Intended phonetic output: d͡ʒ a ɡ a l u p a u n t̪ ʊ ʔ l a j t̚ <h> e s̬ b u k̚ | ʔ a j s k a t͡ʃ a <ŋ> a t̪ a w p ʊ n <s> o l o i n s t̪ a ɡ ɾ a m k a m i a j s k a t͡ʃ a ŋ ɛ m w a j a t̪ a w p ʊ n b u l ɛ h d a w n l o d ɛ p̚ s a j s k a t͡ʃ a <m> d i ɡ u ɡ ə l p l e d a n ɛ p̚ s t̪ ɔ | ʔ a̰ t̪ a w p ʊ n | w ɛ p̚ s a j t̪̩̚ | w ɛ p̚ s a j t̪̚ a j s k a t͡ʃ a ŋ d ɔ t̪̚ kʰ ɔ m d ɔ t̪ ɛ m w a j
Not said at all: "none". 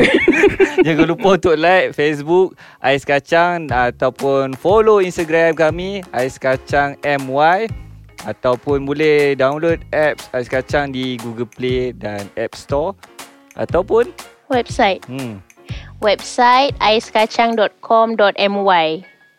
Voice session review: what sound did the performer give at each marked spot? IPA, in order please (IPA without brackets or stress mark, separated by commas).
f, ŋ, f, ŋ